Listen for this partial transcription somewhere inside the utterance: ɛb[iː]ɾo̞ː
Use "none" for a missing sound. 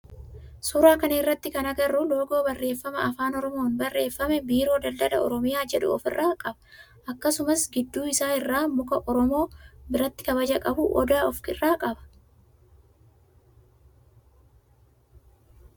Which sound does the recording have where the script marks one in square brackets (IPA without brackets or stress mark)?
iː